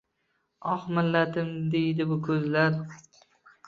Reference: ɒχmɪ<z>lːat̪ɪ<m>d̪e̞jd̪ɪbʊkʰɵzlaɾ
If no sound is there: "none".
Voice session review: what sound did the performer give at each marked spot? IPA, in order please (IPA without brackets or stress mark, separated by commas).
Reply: none, m